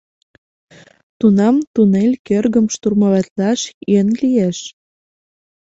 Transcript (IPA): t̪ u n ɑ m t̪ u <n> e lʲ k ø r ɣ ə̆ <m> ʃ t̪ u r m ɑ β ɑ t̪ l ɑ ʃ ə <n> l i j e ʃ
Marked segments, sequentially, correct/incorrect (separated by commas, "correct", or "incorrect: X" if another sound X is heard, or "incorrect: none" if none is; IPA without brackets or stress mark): correct, correct, correct